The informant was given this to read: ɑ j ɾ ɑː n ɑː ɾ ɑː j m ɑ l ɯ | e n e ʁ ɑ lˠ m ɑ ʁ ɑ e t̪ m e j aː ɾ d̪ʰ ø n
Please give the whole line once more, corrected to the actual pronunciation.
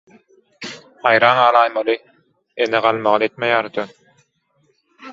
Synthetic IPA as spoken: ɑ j ɾ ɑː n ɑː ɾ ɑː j m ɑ l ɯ | e n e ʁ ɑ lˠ m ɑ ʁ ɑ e t̪ m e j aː ɾ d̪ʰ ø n

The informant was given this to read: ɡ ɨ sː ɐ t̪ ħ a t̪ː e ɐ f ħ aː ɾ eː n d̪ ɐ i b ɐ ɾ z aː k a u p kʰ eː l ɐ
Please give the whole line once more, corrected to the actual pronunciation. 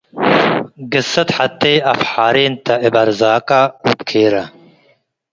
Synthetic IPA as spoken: ɡ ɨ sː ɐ t̪ ħ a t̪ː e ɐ f ħ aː ɾ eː n t̪ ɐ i b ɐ ɾ z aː k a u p kʰ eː ɾ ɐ

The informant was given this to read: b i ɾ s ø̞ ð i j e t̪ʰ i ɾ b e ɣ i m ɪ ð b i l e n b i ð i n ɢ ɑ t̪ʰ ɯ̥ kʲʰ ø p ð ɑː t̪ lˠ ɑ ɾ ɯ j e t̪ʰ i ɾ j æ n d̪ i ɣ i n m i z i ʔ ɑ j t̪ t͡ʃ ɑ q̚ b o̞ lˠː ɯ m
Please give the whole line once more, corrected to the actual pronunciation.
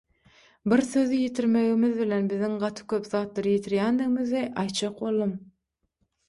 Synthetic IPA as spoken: b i ɾ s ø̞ ð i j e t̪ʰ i ɾ m e ɣ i m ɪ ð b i l e n b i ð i ŋ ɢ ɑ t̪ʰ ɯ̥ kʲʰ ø p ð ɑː t̪ lˠ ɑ ɾ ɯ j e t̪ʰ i ɾ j æ n d̪ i ɣ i m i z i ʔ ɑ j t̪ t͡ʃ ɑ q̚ b o̞ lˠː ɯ m

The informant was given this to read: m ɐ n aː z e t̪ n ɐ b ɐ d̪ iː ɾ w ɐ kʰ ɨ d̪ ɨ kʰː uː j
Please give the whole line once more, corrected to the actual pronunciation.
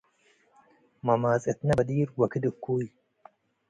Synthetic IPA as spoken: m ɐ m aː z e t̪ n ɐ b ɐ d̪ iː ɾ w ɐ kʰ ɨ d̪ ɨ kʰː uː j

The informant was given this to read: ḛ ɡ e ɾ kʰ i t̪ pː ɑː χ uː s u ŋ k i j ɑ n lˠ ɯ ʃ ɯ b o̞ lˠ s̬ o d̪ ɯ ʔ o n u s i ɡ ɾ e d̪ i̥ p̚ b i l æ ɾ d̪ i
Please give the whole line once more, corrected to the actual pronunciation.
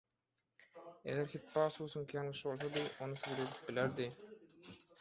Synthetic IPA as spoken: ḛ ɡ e ɾ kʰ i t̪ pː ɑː s uː s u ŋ k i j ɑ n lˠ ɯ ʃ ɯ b o̞ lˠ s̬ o d̪ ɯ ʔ o n u s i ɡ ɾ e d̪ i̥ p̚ b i l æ ɾ d̪ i

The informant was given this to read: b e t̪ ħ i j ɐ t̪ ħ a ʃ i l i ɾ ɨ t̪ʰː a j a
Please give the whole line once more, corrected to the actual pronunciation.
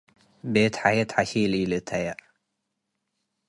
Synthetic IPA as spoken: b e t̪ ħ a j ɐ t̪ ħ a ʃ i l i l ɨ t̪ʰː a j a

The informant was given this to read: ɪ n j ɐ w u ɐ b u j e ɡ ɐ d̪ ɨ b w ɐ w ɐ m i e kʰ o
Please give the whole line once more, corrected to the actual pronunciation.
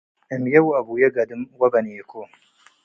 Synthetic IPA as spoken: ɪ m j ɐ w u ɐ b u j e ɡ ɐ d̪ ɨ m w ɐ b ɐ n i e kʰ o

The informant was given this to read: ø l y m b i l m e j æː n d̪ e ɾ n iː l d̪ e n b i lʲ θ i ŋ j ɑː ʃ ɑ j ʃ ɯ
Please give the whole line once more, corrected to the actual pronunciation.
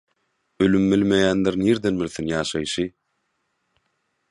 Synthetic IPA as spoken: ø l y m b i l m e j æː n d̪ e ɾ n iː ɾ d̪ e n b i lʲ θ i n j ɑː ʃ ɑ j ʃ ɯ

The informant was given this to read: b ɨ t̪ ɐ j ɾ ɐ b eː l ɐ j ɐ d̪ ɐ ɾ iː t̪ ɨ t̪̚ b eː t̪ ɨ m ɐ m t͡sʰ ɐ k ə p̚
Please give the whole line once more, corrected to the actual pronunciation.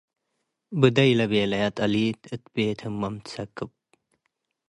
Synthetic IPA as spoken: b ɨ d̪ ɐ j l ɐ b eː l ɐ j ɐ t̪ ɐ l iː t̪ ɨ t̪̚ b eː t̪ʰ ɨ m ɐ m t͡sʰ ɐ k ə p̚

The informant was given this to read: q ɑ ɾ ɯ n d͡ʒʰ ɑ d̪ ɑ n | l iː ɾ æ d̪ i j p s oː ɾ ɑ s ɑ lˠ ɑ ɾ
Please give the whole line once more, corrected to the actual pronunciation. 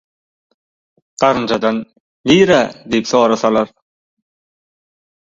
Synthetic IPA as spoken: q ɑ ɾ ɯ n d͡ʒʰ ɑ d̪ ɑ n | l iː ɾ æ d̪ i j p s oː ɾ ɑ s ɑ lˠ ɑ ɾ

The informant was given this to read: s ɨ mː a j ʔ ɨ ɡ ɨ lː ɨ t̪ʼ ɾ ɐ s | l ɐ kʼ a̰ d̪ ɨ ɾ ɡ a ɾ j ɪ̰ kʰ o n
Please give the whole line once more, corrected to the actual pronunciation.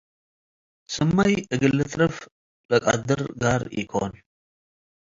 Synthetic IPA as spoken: s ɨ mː a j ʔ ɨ ɡ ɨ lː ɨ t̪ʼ ɾ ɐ f | l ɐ kʼ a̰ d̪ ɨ ɾ ɡ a ɾ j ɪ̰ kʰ o n

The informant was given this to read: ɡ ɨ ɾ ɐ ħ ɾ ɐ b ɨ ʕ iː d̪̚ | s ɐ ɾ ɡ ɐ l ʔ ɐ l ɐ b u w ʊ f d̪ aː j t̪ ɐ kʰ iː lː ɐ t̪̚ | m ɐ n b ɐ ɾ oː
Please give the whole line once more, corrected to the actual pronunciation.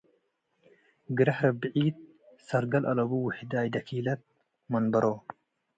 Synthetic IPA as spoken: ɡ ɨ ɾ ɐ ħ ɾ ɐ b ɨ ʕ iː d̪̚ | s ɐ ɾ ɡ ɐ l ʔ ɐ l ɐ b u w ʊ ħ d̪ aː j d̪ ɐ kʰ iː l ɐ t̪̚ | m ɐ n b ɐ ɾ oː

